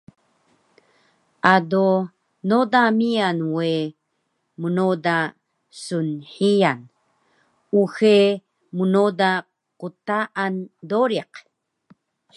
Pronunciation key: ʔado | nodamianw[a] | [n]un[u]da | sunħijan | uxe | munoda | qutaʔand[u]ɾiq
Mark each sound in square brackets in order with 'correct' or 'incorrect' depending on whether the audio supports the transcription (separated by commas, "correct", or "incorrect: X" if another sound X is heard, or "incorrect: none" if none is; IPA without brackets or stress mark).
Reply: incorrect: e, incorrect: m, incorrect: o, incorrect: o